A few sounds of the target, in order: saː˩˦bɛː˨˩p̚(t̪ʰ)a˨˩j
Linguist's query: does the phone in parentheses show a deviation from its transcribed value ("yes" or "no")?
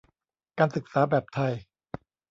no